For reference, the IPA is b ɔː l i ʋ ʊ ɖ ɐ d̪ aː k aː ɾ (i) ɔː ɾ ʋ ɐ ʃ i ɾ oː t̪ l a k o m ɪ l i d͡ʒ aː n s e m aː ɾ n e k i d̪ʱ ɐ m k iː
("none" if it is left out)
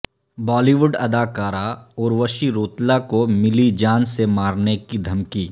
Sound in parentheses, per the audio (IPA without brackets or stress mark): a